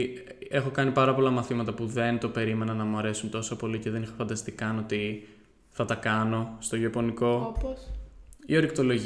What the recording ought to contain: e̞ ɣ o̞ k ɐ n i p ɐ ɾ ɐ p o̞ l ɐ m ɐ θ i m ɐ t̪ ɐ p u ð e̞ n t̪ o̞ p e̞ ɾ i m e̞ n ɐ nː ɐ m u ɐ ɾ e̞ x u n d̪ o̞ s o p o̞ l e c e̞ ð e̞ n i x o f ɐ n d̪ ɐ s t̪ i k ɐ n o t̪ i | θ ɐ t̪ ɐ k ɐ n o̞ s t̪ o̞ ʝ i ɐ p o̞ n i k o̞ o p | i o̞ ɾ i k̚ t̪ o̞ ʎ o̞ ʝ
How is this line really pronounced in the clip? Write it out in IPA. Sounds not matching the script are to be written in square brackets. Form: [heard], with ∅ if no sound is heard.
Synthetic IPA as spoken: e̞ [x] o̞ k ɐ n i p ɐ ɾ ɐ p o̞ l ɐ m ɐ θ i m ɐ t̪ ɐ p u ð e̞ n t̪ o̞ p e̞ ɾ i m e̞ n ɐ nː ɐ m u ɐ ɾ e̞ [s] u n [t̪] o̞ s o p o̞ l [i] c e̞ ð e̞ n i x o f ɐ n d̪ ɐ s t̪ i k ɐ n o t̪ i | θ ɐ t̪ ɐ k ɐ n o̞ s t̪ o̞ ʝ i ɐ p o̞ n i k o̞ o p | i o̞ ɾ i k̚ t̪ o̞ [l] o̞ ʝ